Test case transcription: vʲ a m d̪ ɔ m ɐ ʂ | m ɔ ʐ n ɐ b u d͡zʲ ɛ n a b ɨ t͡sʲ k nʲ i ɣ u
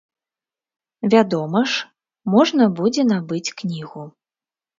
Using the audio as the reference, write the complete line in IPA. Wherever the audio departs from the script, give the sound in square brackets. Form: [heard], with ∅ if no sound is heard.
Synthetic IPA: vʲ a [∅] d̪ ɔ m ɐ ʂ | m ɔ ʐ n ɐ b u d͡zʲ ɛ n a b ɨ t͡sʲ k nʲ i ɣ u